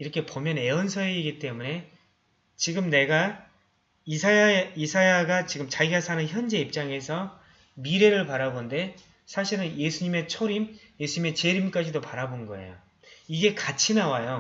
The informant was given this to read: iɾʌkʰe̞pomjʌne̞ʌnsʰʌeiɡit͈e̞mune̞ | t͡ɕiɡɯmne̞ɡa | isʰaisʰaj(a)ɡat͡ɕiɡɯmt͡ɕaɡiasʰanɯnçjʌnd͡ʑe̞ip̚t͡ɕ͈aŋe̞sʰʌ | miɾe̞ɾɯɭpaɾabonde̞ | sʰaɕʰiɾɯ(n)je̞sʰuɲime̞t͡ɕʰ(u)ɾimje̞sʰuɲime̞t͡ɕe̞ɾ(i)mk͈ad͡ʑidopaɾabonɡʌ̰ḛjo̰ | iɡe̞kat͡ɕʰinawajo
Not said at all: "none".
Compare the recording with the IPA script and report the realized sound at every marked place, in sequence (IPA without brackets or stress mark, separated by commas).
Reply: a, n, o, i